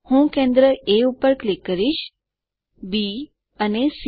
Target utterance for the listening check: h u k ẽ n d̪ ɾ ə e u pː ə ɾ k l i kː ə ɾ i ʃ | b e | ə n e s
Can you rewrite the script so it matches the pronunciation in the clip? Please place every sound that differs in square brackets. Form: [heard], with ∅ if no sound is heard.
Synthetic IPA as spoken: h [ũ] k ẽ n d̪ ɾ ə e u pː ə ɾ k l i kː ə ɾ i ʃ | b [i] | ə n e s